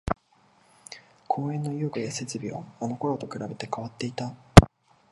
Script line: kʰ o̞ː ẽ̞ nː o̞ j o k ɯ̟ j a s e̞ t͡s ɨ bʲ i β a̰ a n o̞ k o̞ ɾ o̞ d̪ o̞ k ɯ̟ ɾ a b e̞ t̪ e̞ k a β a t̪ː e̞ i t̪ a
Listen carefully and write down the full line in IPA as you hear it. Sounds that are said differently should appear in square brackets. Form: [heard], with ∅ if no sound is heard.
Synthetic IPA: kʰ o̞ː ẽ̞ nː o̞ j o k ɯ̟ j a s e̞ t͡s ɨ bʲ i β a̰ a n o̞ k o̞ ɾ o̞ [t̪] o̞ k ɯ̟ ɾ a b e̞ t̪ e̞ k a β a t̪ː e̞ i t̪ a